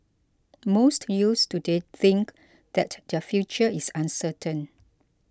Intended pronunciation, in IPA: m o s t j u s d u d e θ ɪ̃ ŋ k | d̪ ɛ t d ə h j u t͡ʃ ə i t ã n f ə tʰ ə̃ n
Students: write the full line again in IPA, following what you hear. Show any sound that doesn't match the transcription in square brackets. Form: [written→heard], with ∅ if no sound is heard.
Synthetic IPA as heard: m o s t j u s [d→t] u d e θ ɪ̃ ŋ k | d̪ ɛ t d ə [h→f] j u t͡ʃ ə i [t→s] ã n [f→s] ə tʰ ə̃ n

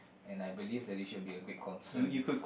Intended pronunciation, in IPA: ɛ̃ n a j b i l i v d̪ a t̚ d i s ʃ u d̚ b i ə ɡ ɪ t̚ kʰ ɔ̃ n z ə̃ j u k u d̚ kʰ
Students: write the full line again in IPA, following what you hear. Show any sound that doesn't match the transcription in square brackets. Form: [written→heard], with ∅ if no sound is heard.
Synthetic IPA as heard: ɛ̃ n a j b i l i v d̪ [a→ɛ] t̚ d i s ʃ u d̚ b i ə ɡ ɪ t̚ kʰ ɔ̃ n [z→s] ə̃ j u k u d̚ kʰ

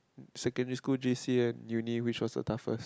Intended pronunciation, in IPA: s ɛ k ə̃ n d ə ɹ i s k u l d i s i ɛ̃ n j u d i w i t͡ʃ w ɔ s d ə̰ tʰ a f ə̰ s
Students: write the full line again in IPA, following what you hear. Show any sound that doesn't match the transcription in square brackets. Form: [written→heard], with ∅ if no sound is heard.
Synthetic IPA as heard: s ɛ k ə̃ n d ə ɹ i s k u l [d→d͡ʒ] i s i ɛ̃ n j u [d→n] i w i t͡ʃ w ɔ s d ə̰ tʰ a f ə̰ s

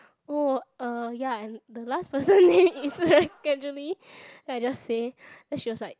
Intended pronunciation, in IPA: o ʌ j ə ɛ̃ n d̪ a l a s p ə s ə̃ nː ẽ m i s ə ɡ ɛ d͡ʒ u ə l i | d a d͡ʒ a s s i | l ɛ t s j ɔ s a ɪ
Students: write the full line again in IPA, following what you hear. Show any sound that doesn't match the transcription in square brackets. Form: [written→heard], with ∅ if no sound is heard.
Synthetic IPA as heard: o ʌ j [ə→a] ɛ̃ n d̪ [a→ə] l a s p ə s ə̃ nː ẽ m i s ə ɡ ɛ d͡ʒ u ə l i | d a d͡ʒ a s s [i→e] | l ɛ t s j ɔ s a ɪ

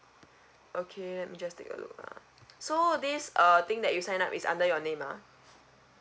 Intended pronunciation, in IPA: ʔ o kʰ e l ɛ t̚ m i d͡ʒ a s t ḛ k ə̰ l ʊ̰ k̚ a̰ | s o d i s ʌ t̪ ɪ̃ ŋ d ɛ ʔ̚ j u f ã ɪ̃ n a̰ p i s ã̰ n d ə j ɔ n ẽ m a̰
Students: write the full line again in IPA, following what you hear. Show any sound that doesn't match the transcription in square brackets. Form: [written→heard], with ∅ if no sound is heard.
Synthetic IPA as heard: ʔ o kʰ e l ɛ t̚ m i d͡ʒ a s t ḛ k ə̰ l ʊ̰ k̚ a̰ | s o d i s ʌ t̪ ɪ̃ ŋ d ɛ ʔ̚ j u [f→s] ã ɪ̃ n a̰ p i s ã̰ n d ə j ɔ n ẽ m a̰

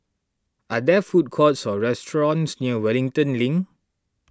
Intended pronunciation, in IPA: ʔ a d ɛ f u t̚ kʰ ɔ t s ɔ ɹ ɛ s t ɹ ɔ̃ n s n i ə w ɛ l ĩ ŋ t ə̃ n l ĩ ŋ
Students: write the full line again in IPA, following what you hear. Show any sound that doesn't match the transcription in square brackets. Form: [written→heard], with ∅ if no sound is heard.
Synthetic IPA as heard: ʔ a d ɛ f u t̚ kʰ ɔ t s ɔ ɹ ɛ s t ɹ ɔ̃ n s n i ə w ɛ l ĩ ŋ t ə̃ n l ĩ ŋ

